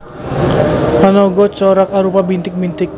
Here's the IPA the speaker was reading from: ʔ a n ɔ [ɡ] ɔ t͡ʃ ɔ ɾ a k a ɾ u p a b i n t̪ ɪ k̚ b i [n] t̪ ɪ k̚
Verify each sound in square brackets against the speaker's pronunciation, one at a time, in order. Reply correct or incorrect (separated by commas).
correct, correct